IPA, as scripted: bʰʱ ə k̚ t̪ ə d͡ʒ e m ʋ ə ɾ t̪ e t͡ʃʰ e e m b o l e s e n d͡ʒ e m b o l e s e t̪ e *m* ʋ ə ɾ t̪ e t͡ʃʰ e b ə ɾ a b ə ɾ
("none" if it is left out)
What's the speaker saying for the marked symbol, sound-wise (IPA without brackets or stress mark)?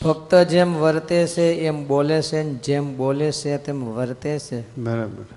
m